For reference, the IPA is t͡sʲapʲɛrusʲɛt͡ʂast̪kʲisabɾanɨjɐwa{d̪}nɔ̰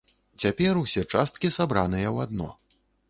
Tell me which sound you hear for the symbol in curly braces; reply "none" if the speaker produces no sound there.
d̪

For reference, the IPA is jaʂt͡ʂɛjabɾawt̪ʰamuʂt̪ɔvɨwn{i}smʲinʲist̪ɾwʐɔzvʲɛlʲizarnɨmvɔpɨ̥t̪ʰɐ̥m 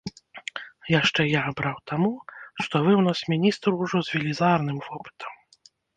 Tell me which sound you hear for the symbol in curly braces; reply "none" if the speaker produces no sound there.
a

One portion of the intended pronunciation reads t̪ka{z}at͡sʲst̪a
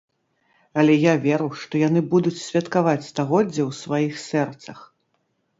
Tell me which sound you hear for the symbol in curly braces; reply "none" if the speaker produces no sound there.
v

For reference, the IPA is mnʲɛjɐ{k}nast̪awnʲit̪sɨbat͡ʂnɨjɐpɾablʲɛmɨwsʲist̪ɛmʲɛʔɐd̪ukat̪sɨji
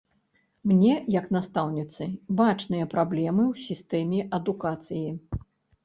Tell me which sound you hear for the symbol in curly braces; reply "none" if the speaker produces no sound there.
k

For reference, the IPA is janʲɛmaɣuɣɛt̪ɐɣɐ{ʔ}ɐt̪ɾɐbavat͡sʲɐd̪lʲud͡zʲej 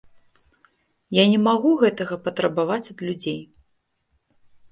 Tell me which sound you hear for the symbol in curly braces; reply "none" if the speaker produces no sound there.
p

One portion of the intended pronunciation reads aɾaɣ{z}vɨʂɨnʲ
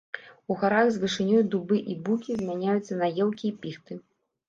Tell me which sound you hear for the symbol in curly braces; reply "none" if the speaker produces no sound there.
z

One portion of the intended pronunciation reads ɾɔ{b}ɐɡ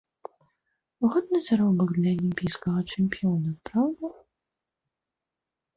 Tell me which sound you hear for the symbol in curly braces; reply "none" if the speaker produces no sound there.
b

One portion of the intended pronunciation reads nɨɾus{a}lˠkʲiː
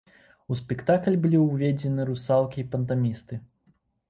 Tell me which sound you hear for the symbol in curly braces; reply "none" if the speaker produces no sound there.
a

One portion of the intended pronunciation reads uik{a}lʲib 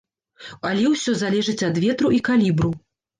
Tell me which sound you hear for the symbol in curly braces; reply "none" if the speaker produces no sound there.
a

